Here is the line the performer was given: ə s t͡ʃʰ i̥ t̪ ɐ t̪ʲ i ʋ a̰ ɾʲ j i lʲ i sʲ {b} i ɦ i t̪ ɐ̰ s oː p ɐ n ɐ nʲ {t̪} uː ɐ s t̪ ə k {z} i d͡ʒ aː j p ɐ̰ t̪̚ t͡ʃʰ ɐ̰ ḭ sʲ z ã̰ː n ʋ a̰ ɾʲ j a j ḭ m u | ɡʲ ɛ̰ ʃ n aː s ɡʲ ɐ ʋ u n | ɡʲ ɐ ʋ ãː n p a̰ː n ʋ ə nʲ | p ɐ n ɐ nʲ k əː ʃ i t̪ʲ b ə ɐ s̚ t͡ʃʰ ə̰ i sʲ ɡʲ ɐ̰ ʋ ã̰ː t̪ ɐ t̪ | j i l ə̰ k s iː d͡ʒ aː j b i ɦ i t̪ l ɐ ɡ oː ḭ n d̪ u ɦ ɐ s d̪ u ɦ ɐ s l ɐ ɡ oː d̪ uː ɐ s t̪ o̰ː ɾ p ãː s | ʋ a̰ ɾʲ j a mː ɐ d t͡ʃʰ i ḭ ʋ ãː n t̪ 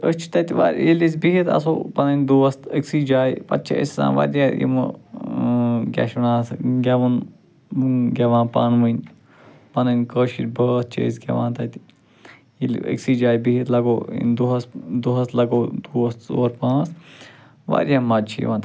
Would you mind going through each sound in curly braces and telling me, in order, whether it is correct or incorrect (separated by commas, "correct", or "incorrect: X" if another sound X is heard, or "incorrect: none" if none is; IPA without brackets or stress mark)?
correct, incorrect: d̪, incorrect: s